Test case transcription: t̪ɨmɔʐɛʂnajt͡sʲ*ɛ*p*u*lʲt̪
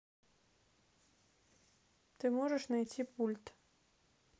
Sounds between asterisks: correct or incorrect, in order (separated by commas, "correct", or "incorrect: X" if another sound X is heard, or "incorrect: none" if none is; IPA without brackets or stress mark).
incorrect: i, correct